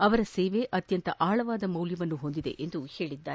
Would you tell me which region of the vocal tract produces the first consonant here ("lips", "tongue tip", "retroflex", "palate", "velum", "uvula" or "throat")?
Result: lips